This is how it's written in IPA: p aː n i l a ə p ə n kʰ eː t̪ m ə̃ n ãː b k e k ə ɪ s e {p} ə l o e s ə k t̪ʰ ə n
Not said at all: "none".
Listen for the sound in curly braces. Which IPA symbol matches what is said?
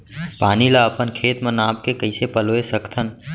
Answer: p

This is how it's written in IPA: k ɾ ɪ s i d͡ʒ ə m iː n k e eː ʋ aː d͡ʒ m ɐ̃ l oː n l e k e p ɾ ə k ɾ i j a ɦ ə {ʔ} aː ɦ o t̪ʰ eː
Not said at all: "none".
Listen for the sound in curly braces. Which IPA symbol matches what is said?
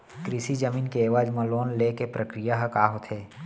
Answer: k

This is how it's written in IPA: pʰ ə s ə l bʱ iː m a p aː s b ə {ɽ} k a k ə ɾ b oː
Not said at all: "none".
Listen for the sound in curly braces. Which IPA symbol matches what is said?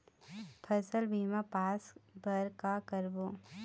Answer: ɾ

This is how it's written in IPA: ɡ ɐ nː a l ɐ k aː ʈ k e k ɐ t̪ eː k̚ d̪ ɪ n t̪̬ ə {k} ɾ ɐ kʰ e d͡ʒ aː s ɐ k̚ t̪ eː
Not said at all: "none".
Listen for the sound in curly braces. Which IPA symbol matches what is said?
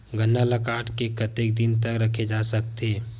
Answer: k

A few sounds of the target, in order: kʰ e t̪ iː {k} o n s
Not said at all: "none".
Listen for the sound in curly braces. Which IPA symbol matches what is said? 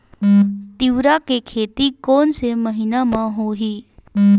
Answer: k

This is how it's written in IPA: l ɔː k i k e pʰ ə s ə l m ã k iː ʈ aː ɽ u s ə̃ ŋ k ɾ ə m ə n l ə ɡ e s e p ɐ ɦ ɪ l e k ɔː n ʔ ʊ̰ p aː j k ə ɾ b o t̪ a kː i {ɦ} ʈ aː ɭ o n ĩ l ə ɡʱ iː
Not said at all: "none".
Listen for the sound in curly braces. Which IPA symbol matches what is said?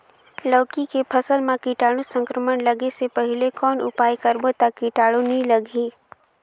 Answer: none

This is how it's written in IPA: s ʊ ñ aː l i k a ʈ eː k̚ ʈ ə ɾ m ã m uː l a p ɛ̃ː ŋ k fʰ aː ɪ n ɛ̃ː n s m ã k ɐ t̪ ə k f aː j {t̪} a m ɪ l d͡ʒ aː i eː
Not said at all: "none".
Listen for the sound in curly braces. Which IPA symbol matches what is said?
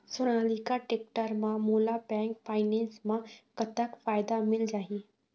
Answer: d̪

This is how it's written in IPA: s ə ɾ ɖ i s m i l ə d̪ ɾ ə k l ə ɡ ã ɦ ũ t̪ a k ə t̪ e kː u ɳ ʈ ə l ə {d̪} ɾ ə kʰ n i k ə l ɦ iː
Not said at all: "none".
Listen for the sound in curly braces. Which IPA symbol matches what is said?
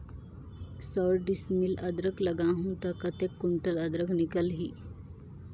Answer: d̪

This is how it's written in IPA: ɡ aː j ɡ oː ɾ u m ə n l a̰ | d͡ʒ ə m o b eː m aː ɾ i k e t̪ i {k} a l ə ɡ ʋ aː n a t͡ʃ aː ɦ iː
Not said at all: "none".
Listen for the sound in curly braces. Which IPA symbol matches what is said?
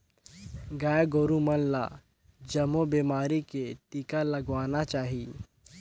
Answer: k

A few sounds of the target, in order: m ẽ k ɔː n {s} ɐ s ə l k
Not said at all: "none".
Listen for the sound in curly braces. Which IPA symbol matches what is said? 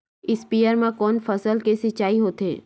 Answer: f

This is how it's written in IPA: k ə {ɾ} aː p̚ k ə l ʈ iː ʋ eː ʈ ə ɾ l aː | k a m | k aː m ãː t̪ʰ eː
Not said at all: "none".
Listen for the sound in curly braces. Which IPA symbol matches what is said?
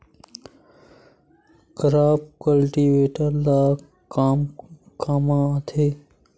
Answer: ɾ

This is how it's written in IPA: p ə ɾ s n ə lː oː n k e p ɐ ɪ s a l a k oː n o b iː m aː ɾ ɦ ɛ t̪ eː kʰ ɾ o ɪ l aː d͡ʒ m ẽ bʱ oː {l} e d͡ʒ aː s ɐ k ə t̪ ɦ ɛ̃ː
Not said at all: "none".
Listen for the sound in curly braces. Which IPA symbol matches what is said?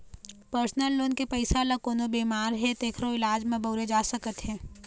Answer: ɾ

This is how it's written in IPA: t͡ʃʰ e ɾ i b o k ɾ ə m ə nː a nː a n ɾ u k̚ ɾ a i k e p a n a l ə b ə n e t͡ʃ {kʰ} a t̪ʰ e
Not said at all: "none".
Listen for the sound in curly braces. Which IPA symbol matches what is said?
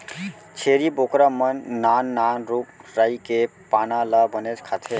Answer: kʰ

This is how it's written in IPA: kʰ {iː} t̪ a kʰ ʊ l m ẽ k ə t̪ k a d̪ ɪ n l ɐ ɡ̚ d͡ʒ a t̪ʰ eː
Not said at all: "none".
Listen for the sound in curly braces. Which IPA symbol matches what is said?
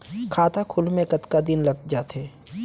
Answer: aː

